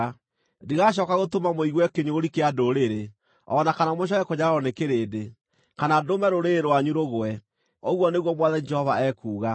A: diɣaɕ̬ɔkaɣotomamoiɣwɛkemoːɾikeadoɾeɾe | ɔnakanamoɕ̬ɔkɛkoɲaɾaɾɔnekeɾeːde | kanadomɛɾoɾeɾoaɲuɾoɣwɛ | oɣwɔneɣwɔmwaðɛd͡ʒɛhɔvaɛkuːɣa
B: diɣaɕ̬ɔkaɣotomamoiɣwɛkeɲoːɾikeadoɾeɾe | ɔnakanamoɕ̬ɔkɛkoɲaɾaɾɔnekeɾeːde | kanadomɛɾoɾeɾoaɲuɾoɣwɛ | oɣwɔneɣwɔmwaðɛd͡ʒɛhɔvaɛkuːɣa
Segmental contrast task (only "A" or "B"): B